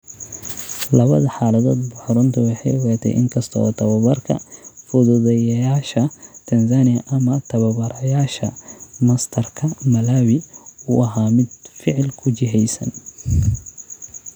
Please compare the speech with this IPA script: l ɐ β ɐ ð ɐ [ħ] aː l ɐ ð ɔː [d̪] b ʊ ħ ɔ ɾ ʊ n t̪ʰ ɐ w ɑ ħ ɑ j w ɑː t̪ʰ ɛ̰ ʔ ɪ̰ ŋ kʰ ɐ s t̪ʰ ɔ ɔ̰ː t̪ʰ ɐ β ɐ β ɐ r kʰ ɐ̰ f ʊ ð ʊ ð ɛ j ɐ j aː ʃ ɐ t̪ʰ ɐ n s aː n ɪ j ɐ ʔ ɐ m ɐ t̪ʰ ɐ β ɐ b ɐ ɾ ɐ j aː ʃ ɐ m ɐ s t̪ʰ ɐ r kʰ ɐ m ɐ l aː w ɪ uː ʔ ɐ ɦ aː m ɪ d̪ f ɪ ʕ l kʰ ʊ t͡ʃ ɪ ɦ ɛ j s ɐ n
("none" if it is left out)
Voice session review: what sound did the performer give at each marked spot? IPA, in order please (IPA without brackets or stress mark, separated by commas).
ħ, d̪